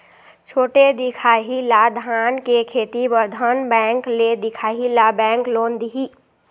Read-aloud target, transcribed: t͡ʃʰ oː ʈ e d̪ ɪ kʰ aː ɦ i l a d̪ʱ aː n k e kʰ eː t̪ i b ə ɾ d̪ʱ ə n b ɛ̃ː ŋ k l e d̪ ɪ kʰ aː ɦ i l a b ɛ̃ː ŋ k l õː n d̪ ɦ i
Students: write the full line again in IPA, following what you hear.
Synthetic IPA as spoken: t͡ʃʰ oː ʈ e d̪ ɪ kʰ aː ɦ i l a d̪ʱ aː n k e kʰ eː t̪ i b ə ɾ d̪ʱ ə n b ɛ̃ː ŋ k l e d̪ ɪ kʰ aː ɦ i l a b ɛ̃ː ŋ k l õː n d̪ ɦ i